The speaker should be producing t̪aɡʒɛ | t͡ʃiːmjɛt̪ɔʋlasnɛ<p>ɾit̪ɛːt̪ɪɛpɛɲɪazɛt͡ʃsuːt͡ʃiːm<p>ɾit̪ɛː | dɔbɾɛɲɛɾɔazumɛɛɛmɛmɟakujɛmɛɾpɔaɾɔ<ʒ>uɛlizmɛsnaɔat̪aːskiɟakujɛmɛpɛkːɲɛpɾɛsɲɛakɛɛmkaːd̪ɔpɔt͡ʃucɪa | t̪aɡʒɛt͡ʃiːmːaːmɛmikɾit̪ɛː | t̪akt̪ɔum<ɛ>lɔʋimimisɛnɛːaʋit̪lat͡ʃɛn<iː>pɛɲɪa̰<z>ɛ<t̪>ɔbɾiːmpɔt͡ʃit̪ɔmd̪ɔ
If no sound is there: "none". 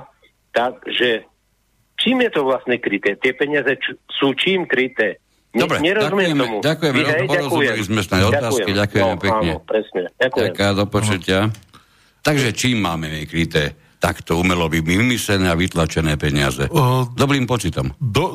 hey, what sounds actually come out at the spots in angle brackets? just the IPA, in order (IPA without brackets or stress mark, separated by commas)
k, k, z, ɛ, ɛː, z, d̪